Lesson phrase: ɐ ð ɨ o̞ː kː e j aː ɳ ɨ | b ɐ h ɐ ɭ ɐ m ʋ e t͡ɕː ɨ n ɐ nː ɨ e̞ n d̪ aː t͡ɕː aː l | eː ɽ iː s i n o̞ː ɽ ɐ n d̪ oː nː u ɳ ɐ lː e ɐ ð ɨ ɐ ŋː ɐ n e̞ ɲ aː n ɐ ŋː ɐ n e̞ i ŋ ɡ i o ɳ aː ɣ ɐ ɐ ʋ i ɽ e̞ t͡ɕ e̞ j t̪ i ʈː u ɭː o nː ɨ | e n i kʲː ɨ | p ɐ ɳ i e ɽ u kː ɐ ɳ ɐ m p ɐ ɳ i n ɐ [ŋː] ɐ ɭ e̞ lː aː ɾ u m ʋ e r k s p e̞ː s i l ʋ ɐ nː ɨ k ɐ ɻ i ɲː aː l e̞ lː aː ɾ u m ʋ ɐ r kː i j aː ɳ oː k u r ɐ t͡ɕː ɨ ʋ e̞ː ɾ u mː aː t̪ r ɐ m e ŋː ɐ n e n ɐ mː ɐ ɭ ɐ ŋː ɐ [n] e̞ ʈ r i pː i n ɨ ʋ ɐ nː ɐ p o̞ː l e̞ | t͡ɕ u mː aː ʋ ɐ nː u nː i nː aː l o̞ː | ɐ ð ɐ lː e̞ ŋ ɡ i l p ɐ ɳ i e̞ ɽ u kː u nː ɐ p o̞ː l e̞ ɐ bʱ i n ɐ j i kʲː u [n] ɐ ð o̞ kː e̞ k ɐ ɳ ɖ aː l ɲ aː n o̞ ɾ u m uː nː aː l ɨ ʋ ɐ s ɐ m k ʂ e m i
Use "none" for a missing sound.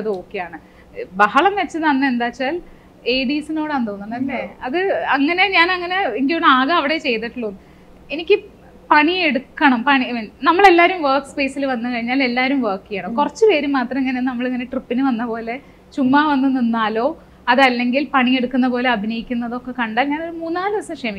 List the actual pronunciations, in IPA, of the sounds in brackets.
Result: mː, n, nː

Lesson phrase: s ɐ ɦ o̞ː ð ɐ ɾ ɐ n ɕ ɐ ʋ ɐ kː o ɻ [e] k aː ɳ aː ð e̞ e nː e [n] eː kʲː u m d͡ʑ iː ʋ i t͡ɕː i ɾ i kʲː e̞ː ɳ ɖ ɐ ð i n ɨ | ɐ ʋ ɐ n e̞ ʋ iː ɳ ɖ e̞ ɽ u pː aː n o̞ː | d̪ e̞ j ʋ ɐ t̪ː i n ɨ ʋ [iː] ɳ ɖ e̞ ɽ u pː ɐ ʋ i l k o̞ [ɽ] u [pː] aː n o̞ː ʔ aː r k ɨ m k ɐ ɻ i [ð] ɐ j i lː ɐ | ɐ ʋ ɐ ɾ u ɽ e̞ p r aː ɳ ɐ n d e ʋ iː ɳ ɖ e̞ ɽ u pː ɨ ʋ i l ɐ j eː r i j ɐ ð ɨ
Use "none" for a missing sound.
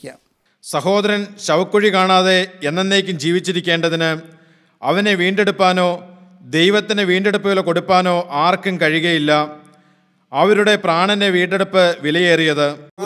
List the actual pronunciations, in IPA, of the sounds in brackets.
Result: i, nː, iː, ɽ, pː, ɣ

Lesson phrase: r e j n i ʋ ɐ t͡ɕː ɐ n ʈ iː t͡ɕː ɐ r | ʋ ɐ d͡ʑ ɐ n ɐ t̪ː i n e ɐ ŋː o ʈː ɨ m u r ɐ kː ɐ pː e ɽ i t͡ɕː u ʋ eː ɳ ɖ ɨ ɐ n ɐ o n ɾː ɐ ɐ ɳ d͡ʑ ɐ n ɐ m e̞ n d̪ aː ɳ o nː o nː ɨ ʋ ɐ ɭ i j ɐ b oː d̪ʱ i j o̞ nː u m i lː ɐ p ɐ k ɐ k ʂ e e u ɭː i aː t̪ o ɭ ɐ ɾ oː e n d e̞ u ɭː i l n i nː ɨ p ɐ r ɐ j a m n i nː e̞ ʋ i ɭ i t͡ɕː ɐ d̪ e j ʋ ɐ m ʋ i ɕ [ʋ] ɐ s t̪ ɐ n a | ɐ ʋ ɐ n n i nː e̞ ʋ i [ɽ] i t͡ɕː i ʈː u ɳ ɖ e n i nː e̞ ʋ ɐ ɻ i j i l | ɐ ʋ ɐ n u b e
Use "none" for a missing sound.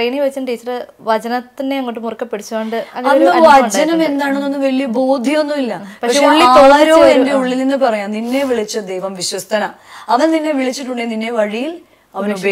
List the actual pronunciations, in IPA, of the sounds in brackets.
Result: w, ɭ

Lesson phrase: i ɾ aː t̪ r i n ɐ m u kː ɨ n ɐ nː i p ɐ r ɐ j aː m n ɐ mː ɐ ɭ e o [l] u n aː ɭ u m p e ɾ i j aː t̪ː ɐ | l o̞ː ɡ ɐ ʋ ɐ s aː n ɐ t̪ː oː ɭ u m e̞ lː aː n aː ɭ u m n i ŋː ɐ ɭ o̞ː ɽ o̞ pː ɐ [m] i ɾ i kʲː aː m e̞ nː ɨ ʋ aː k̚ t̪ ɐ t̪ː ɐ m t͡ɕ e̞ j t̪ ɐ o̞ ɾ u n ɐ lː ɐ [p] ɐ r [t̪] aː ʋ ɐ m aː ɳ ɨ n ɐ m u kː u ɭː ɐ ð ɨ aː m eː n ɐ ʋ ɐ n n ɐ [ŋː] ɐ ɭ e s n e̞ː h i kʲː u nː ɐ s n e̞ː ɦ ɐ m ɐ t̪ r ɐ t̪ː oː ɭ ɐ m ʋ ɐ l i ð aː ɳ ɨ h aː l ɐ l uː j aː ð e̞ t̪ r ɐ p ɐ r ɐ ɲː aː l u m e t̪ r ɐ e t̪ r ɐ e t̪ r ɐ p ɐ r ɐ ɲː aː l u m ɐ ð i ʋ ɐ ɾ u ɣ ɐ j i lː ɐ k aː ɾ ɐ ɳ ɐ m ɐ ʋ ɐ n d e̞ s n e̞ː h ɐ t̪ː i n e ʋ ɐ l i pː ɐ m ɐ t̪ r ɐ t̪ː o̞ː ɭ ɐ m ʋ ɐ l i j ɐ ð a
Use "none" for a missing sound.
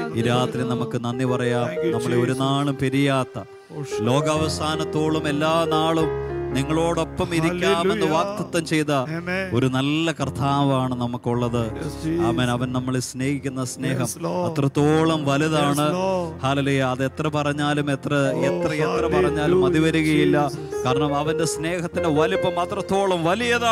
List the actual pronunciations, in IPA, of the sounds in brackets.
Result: ɾ, m, k, t̪ʰ, mː

